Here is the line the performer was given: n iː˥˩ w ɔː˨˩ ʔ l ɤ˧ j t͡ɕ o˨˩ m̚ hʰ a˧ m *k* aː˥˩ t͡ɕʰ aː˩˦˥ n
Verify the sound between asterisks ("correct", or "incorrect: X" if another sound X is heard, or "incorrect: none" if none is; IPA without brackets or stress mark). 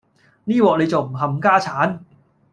correct